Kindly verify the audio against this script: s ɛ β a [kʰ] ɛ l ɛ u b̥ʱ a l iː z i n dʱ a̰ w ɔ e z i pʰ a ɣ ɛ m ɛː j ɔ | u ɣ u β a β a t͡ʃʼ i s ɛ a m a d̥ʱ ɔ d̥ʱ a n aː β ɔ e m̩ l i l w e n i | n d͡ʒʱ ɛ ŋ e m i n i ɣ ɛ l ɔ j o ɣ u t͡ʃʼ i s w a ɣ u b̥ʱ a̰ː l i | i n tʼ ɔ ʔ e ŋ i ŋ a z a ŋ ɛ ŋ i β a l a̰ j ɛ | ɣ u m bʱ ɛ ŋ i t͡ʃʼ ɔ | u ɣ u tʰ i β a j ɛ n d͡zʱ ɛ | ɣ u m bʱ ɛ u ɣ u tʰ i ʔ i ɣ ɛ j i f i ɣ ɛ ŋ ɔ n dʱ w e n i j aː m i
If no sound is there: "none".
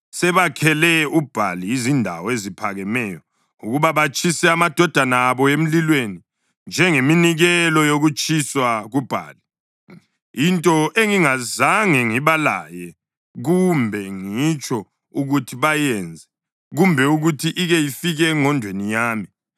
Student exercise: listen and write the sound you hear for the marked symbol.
kʰ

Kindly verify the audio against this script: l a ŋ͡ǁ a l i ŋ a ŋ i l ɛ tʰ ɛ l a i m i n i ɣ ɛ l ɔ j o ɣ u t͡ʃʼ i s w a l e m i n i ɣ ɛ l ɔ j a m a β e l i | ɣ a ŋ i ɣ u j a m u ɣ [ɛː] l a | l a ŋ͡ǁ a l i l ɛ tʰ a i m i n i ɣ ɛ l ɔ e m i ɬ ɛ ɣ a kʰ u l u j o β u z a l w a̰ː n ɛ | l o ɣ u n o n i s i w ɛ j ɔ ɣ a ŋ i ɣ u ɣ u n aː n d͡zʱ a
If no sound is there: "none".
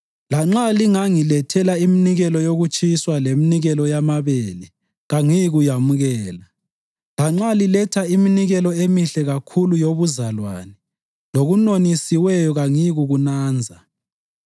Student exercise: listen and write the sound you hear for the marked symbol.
ɛː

